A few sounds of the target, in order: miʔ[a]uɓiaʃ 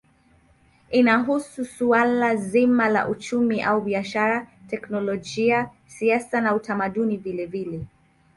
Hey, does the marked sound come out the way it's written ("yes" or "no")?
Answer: yes